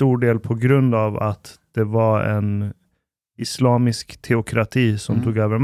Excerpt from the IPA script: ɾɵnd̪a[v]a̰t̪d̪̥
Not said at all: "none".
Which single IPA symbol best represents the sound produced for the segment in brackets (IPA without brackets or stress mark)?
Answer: v